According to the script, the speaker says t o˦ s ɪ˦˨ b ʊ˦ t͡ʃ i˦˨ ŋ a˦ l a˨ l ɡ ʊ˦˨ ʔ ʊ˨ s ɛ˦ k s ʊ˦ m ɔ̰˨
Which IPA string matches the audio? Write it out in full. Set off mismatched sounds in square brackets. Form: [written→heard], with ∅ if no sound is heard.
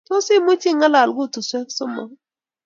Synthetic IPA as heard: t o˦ s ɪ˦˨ [b→m] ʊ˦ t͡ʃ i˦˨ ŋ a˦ l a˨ l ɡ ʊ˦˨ [ʔ→t] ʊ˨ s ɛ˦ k s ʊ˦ m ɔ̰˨